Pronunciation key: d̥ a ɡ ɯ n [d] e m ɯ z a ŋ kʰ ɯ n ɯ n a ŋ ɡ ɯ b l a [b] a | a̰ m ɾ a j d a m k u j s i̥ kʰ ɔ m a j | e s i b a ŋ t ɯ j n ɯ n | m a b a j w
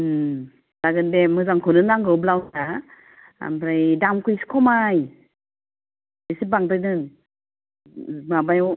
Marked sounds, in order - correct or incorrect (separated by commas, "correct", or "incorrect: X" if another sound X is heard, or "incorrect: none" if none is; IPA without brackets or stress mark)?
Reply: correct, incorrect: w